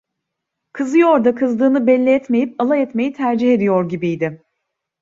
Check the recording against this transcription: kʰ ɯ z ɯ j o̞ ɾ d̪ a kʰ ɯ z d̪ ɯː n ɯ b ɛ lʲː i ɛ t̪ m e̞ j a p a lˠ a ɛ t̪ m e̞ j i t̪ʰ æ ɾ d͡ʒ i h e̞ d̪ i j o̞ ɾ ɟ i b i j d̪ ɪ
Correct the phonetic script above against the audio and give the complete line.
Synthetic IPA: kʰ ɯ z ɯ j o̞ ɾ d̪ a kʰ ɯ z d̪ ɯː n ɯ b ɛ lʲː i ɛ t̪ m e̞ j i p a lˠ a ɛ t̪ m e̞ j i t̪ʰ æ ɾ d͡ʒ i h e̞ d̪ i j o̞ ɾ ɟ i b i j d̪ ɪ